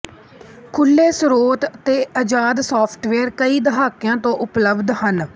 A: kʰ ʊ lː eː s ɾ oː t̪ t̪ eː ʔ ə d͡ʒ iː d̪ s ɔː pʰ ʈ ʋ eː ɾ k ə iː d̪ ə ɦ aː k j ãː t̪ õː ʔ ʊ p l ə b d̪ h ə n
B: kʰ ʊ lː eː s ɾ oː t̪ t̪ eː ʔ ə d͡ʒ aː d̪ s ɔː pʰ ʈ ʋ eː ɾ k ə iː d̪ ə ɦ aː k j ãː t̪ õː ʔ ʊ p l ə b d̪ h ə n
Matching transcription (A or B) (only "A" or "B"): B